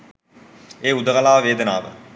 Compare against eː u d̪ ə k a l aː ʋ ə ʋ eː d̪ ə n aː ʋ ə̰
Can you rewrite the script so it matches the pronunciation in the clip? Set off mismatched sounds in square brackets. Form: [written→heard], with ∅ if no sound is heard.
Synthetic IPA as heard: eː u d̪ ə k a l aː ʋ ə ʋ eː d̪ ə n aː ʋ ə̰

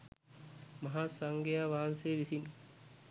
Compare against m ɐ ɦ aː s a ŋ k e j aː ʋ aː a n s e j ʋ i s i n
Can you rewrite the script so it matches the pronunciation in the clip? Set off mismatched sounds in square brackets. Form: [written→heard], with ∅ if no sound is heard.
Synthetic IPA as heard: m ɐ ɦ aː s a ŋ [k→ɡ] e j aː ʋ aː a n s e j ʋ i s i n

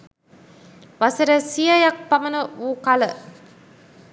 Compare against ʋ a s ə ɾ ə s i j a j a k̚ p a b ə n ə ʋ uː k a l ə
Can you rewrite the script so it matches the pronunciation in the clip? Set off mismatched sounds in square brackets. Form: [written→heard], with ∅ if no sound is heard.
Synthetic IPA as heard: ʋ a s ə ɾ ə s i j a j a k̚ p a [b→m] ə n ə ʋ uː k a l ə

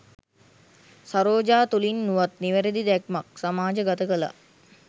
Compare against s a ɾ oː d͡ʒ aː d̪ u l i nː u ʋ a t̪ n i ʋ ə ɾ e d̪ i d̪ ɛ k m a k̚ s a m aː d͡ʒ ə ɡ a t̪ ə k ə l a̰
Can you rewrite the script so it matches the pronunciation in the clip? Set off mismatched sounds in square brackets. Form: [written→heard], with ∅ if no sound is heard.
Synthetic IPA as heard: s a ɾ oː d͡ʒ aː [d̪→t̪] u l i nː u ʋ a t̪ n i ʋ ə ɾ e d̪ i d̪ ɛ k m a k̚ s a m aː d͡ʒ ə ɡ a t̪ ə k ə l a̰

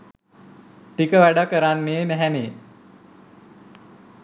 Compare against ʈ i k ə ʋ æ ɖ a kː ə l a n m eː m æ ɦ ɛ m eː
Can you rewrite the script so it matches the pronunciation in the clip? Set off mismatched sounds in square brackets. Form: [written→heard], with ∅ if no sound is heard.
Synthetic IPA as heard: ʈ i k ə ʋ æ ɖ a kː ə [l→ɾ] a n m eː m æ ɦ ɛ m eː

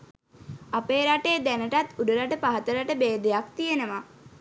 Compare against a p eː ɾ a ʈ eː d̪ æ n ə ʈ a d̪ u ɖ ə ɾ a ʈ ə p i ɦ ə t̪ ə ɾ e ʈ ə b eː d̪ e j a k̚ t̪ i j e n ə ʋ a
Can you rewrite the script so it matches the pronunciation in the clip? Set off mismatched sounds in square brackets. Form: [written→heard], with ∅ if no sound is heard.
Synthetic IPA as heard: a p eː ɾ a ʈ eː d̪ æ n ə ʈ a [d̪→t̪] u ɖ ə ɾ a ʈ ə p [i→a] ɦ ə t̪ ə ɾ [e→a] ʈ ə b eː d̪ e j a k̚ t̪ i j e n ə ʋ a

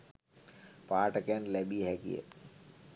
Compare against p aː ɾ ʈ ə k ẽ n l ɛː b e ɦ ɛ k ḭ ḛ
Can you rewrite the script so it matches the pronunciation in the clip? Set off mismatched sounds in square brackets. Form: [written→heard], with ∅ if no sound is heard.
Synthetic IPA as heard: p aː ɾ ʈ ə k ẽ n l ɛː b [e→i] ɦ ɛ k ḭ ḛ

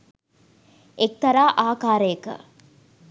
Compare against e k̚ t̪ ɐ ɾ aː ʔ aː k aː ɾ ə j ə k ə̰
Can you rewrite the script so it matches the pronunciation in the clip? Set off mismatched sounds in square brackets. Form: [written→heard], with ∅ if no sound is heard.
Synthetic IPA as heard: e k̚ t̪ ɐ ɾ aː ʔ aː k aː ɾ ə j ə k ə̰

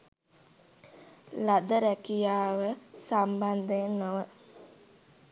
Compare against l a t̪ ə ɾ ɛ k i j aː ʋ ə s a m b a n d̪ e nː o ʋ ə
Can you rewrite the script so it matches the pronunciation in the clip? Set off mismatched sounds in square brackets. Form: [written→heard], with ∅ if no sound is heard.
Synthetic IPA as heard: l a [t̪→d̪] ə ɾ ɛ k i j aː ʋ ə s a m b a n d̪ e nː o ʋ ə

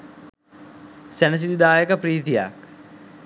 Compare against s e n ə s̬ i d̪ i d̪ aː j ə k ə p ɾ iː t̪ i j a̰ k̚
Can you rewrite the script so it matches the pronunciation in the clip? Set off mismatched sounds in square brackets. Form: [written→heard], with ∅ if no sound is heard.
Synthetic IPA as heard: s [e→æ] n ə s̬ i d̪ i d̪ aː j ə k ə p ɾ iː t̪ i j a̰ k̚

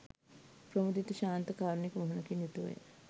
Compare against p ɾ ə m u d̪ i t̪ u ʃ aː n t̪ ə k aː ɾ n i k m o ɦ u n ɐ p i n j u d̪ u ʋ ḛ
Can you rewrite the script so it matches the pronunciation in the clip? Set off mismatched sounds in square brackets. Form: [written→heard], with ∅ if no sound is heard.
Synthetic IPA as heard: p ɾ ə m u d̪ i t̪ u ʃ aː n t̪ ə k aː ɾ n i k m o ɦ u n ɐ [p→k] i n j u [d̪→t̪] u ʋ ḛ

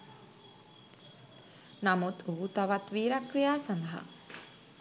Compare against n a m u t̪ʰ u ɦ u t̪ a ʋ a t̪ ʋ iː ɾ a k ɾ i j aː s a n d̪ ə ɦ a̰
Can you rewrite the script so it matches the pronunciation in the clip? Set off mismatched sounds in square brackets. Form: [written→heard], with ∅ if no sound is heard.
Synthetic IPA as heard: n a m u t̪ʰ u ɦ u t̪ a ʋ a t̪ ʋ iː ɾ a k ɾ i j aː s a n d̪ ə ɦ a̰

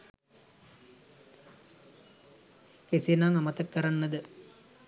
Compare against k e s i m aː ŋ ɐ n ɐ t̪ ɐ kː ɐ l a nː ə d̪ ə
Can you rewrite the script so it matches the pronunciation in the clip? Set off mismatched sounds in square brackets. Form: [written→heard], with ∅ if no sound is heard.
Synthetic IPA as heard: k e s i [m→n] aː ŋ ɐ [n→m] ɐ t̪ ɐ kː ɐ [l→ɾ] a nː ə d̪ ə

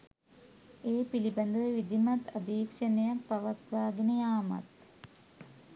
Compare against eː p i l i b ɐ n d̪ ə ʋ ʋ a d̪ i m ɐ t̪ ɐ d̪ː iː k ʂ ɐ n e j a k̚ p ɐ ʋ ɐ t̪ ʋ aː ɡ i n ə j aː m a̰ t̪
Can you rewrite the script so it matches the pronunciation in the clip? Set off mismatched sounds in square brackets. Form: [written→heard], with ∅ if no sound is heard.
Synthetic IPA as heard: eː p i l i b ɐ n d̪ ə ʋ ʋ [a→i] d̪ i m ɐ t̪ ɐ [d̪ː→d̪] iː k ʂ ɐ n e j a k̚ p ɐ ʋ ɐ t̪ ʋ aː ɡ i n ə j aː m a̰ t̪

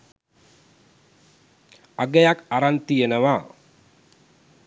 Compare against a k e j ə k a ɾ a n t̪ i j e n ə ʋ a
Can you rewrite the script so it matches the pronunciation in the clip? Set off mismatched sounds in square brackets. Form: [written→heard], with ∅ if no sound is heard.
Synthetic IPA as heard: a [k→ɡ] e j [ə→a] k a ɾ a n t̪ i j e n ə ʋ a

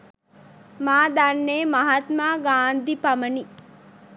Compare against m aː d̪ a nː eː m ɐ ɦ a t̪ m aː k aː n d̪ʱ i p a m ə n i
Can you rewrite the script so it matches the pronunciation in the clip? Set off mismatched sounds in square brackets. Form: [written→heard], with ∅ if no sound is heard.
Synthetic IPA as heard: m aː d̪ a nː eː m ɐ ɦ a t̪ m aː [k→ɡ] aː n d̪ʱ i p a m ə n i

